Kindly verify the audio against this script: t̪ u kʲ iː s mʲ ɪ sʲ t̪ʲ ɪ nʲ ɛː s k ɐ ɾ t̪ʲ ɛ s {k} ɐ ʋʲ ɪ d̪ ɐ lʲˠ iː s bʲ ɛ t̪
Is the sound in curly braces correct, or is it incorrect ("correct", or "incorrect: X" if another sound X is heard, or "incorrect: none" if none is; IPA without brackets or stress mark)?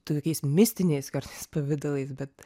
incorrect: p